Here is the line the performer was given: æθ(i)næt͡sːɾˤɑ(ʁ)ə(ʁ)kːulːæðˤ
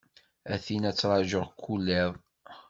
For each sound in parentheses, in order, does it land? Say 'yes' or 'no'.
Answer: yes, no, yes

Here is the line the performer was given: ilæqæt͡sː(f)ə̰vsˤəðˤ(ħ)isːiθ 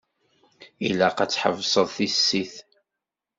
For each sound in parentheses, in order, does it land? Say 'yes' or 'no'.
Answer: no, no

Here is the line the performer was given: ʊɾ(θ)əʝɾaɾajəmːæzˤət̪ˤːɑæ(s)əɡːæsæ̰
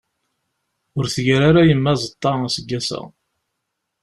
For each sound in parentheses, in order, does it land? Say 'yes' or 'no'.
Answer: yes, yes

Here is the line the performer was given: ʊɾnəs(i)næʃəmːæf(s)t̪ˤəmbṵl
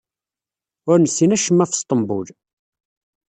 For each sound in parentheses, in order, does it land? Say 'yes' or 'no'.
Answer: yes, yes

